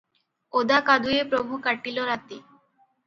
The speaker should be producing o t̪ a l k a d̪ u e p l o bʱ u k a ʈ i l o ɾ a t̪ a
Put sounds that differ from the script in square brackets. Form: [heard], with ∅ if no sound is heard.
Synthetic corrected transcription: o [d̪] a [∅] k a d̪ u e p [ɾ] o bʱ u k a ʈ i l o ɾ a t̪ [i]